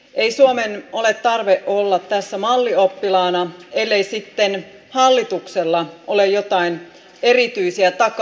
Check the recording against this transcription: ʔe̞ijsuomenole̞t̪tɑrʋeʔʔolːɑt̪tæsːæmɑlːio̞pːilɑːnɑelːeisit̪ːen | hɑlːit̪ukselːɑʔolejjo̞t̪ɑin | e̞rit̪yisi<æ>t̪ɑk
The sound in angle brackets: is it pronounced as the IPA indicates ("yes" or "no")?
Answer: yes